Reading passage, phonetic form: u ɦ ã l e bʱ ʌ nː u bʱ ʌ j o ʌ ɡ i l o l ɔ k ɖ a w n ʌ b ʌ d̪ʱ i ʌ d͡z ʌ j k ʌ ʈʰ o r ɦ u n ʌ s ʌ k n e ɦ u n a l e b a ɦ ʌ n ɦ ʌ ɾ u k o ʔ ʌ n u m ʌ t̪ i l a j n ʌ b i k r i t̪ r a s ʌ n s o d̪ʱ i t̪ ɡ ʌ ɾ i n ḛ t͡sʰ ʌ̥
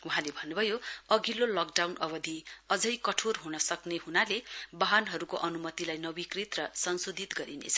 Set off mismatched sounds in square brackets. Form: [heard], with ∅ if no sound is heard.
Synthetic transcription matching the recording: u ɦ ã l e bʱ ʌ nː u bʱ ʌ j o ʌ ɡ i l o l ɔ k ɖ a w n ʌ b ʌ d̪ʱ i ʌ d͡z ʌ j k ʌ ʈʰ o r ɦ u n ʌ s ʌ k n e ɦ u n a l e b a ɦ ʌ n ɦ ʌ ɾ u k o ʔ ʌ n u m ʌ t̪ i l a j n ʌ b i k r i t̪ r [ʌ] s ʌ n s o d̪ʱ i t̪ ɡ ʌ ɾ i n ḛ t͡sʰ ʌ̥